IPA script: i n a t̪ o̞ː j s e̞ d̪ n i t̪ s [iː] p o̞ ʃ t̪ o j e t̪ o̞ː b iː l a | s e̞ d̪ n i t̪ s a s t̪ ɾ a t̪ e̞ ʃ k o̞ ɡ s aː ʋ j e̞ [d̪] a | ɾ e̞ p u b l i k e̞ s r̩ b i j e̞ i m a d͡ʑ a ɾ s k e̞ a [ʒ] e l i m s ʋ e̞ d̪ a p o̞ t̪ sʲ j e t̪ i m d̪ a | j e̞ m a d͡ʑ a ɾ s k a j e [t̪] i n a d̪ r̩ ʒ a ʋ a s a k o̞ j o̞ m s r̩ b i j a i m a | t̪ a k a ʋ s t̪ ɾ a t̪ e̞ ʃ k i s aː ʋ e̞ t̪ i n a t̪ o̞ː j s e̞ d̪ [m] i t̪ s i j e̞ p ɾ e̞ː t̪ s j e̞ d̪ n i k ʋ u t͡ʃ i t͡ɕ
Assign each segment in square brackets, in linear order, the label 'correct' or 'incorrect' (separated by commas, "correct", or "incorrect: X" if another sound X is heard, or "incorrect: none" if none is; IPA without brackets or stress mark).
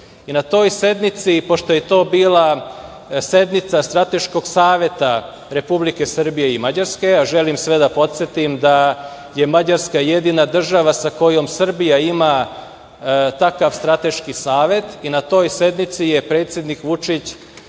incorrect: i, incorrect: t̪, correct, incorrect: d̪, incorrect: n